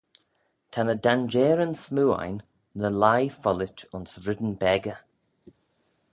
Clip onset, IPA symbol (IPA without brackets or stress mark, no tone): tʰ